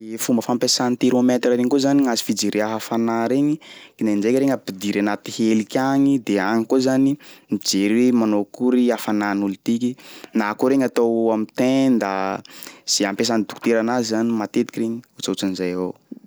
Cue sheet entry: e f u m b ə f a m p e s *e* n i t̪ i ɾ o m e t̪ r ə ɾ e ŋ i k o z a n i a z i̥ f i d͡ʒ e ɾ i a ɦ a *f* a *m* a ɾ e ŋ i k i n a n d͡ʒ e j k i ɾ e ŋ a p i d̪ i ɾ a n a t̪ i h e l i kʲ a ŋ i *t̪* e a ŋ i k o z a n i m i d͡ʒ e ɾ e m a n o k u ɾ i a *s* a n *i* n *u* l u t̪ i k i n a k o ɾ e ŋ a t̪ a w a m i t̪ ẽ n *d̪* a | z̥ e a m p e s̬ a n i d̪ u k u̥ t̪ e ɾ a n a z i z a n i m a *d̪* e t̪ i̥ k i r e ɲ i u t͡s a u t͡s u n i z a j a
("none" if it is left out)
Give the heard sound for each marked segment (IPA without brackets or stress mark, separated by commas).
a, f, n, d̪, f, a, u, d̪, t̪